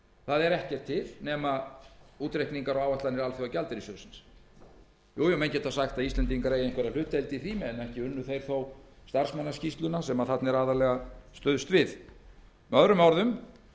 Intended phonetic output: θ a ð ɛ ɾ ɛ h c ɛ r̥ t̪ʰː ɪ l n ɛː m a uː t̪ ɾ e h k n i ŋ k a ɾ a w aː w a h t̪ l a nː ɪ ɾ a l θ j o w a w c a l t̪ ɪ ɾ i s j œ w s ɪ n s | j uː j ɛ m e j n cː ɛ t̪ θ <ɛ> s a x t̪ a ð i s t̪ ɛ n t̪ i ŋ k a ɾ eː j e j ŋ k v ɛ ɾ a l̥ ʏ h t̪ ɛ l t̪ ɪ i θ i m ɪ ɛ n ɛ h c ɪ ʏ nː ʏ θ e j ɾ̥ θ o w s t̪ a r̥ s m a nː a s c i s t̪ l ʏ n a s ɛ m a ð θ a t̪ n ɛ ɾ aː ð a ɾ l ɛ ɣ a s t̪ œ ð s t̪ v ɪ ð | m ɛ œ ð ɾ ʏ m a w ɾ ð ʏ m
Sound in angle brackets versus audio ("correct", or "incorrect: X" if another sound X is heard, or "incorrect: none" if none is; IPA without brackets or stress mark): incorrect: a